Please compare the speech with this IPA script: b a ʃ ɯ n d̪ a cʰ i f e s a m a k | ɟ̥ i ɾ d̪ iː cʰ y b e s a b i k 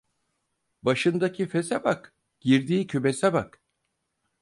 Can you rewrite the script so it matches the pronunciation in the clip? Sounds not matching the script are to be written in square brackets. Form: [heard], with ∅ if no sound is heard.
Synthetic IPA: b a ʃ ɯ n d̪ a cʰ i f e s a [b] a k | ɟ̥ i ɾ d̪ iː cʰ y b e s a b [a] k

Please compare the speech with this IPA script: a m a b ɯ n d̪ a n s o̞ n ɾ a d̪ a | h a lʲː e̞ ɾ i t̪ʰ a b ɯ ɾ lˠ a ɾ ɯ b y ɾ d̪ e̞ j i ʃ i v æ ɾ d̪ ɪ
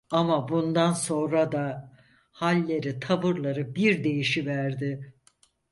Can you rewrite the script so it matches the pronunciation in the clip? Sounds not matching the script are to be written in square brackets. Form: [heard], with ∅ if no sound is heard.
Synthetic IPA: a m a b [u] n d̪ a n s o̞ n ɾ a d̪ a | h a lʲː e̞ ɾ i t̪ʰ a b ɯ ɾ lˠ a ɾ ɯ b [i] ɾ d̪ e̞ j i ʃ i v æ ɾ d̪ ɪ

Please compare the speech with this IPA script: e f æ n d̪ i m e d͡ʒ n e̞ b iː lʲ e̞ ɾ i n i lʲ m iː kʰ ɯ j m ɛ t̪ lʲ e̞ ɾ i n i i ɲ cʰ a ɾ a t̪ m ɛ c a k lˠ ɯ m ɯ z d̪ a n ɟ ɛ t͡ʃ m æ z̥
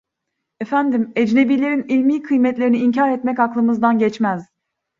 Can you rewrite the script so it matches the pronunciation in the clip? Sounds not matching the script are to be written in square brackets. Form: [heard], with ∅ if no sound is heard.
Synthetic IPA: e f æ n d̪ i m e d͡ʒ n e̞ b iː lʲ e̞ ɾ i n i lʲ m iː kʰ ɯ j m ɛ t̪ lʲ e̞ ɾ i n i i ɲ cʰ a ɾ [ɛ] t̪ m ɛ c a k lˠ ɯ m ɯ z d̪ a n ɟ ɛ t͡ʃ m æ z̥

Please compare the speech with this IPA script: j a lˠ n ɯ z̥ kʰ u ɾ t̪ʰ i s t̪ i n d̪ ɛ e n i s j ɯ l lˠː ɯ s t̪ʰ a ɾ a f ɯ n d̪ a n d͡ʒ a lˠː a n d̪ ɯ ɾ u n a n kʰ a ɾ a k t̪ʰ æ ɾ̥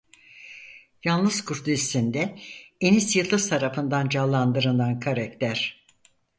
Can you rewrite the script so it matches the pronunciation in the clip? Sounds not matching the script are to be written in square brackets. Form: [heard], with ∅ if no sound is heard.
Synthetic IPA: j a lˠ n ɯ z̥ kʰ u ɾ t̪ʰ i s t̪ i n d̪ ɛ e n i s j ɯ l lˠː ɯ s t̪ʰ a ɾ a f ɯ n d̪ a n d͡ʒ a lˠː a n d̪ ɯ ɾ [ɯ] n a n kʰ a ɾ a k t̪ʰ æ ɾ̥

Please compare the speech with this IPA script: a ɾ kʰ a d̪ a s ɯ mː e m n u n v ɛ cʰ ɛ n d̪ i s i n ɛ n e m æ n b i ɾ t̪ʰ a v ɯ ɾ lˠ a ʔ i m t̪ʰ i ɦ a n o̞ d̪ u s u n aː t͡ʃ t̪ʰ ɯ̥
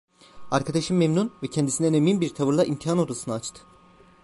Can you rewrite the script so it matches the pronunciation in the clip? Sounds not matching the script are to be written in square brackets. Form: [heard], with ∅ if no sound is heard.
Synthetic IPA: a ɾ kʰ a d̪ a [ʃ] ɯ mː e m n u n v ɛ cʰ ɛ n d̪ i s i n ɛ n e m [i] n b i ɾ t̪ʰ a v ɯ ɾ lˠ a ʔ i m t̪ʰ i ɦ a n o̞ d̪ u s [ɯ] n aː t͡ʃ t̪ʰ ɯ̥

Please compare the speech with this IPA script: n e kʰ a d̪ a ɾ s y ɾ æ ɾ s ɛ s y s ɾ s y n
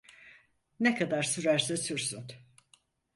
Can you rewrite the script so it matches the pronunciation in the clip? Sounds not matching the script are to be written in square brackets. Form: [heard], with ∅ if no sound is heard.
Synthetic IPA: n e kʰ a d̪ a ɾ s y ɾ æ ɾ s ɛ s y [∅] ɾ s y n

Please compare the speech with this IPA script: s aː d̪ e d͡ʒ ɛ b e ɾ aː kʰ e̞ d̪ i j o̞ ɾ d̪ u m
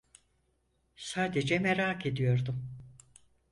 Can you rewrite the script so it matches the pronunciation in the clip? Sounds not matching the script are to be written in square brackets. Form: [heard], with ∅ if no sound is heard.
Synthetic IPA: s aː d̪ e d͡ʒ ɛ [m] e ɾ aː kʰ e̞ d̪ i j o̞ ɾ d̪ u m

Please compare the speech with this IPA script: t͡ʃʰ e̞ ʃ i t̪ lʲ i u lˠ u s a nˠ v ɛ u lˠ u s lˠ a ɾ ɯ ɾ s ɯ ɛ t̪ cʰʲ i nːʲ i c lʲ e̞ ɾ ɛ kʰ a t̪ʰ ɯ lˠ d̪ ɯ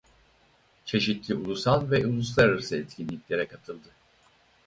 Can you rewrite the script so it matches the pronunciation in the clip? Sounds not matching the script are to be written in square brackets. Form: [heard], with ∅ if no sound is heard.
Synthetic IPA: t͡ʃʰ e̞ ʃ i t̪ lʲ i u lˠ u s a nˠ v ɛ u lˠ u s lˠ a ɾ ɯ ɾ s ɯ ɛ t̪ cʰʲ i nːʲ i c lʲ e̞ ɾ ɛ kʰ a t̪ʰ ɯ lˠ d̪ ɯ

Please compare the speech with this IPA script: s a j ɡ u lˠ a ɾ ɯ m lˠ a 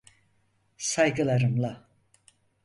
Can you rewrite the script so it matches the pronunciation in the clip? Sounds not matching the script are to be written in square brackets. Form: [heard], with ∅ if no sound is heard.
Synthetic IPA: s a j ɡ [ɯ] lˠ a ɾ ɯ m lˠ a

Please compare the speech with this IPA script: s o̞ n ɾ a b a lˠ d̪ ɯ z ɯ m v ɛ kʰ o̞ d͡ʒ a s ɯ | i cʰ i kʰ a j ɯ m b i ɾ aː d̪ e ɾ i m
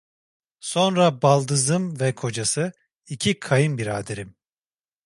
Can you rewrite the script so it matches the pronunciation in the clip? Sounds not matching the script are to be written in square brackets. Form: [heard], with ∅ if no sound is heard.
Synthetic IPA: s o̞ n ɾ a b a lˠ d̪ ɯ z ɯ m v ɛ kʰ o̞ d͡ʒ a s ɯ | i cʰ i kʰ a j ɯ m b i ɾ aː d̪ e ɾ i m

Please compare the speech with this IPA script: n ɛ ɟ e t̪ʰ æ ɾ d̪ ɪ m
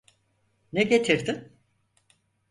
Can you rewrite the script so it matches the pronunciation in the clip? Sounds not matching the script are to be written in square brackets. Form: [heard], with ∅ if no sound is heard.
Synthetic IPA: n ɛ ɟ e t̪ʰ [i] ɾ d̪ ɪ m

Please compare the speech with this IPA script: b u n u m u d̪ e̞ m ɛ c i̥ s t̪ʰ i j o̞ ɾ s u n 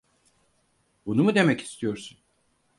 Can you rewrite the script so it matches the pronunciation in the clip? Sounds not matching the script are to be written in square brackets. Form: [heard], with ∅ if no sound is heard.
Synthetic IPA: b u n u m u d̪ e̞ m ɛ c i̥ s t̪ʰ i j o̞ ɾ s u n

